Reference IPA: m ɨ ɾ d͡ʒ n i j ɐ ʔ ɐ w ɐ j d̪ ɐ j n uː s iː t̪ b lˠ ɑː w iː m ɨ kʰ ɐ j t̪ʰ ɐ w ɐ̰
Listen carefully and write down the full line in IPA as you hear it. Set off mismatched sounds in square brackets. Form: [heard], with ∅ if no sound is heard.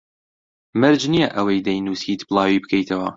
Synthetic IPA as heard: m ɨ ɾ d͡ʒ n i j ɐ ʔ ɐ w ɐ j d̪ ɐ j n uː s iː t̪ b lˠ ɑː w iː [b] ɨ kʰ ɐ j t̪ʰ ɐ w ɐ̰

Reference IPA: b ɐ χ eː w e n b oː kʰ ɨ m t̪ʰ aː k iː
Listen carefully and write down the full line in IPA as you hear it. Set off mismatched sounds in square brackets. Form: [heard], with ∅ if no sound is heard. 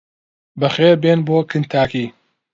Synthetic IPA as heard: b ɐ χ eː [b] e n b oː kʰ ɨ [n] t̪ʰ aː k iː

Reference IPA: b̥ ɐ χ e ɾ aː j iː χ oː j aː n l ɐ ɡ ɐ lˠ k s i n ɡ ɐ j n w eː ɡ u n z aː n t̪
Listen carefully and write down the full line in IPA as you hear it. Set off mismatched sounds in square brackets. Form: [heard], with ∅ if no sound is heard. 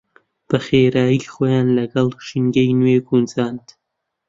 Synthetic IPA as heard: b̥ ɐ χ e ɾ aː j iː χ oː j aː n l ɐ ɡ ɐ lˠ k [ʃ] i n ɡ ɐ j n w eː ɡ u n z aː n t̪

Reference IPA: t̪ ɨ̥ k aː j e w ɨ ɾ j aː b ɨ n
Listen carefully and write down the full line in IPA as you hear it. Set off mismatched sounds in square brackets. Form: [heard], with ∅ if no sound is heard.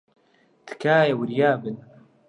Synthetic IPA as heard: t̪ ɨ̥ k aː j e w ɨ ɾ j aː b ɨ n

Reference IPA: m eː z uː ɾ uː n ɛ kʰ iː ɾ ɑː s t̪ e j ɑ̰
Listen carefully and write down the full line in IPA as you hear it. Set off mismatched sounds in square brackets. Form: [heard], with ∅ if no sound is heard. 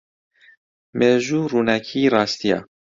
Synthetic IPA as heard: m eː [ʒ] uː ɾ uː n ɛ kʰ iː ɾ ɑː s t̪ [i] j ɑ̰

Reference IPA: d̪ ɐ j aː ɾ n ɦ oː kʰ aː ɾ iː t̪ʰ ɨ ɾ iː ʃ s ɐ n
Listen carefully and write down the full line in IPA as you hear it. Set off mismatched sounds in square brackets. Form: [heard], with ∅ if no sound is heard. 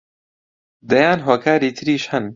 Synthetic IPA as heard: d̪ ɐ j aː [∅] n ɦ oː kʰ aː ɾ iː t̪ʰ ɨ ɾ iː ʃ [h] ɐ n

